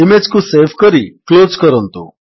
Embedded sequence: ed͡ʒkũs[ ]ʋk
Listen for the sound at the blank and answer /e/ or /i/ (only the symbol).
e